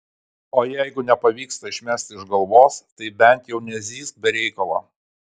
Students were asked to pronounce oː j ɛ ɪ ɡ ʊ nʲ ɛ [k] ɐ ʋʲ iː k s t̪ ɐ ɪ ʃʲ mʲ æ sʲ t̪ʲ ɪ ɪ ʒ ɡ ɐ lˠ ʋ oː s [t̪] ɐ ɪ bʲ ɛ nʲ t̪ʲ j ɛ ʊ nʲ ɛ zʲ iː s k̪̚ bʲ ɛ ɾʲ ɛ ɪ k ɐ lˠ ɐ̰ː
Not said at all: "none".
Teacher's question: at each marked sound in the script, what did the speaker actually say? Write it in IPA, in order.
p, t̪

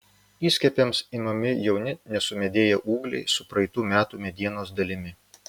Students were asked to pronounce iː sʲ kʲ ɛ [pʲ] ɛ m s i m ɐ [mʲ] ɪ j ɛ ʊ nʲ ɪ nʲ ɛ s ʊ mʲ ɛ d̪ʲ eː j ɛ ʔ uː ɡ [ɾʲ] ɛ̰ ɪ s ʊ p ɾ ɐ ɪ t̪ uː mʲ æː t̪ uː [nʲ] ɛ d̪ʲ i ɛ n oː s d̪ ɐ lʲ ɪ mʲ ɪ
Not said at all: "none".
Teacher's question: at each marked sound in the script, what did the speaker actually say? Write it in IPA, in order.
pʲ, mʲ, lʲ, mʲ

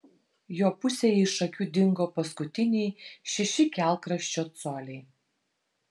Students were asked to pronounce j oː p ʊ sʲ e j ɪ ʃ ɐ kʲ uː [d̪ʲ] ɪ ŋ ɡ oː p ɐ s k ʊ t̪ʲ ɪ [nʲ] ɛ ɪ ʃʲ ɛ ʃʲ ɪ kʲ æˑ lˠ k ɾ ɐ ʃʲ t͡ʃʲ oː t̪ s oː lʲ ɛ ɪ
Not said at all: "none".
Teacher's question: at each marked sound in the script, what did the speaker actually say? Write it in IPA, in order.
d̪ʲ, nʲ

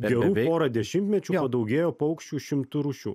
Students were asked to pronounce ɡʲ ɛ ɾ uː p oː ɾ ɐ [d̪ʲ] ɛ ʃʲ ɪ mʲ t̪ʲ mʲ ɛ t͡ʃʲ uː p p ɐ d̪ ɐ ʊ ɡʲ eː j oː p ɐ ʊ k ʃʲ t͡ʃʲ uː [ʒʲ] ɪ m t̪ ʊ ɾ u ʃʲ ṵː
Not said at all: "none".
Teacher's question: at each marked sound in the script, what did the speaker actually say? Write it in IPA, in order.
d̪ʲ, ʃʲ

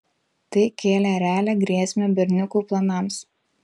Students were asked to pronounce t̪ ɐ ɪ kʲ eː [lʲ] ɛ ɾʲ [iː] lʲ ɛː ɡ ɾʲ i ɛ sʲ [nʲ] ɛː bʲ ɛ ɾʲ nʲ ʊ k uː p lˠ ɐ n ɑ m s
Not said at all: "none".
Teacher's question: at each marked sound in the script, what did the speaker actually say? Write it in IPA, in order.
lʲ, æː, mʲ

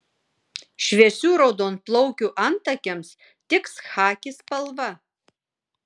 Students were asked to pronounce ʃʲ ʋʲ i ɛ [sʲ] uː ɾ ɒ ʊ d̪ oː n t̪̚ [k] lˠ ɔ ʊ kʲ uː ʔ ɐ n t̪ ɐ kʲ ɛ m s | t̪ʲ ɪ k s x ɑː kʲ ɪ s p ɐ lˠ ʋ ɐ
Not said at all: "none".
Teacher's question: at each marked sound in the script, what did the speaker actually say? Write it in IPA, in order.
sʲ, p

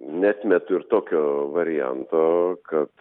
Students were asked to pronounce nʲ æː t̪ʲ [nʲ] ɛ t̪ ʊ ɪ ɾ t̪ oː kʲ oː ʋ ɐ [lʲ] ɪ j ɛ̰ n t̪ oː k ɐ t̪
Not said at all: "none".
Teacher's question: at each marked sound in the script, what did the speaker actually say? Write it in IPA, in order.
mʲ, ɾʲ

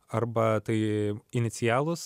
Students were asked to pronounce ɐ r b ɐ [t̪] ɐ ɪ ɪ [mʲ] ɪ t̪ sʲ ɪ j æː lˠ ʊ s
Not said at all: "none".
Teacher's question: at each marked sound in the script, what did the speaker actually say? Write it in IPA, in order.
t̪, nʲ

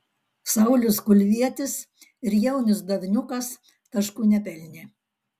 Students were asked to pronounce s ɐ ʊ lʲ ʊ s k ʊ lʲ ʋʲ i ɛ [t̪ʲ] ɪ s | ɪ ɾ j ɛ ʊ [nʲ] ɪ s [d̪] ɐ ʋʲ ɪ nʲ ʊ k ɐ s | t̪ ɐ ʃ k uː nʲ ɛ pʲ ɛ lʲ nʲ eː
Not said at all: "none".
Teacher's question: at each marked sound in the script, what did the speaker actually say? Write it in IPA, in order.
t̪ʲ, nʲ, d̪

